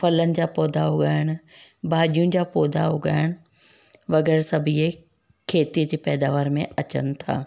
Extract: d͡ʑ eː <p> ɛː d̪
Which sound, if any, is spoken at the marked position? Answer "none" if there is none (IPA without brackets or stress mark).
p